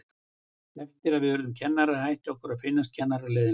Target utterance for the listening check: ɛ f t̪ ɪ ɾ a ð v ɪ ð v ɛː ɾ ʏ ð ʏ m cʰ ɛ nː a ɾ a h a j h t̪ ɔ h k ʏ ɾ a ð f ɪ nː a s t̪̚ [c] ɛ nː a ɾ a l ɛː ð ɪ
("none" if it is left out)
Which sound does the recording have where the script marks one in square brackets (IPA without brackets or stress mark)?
cʰ